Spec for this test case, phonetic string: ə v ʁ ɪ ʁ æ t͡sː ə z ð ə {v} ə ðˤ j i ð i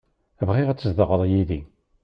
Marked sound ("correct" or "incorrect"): incorrect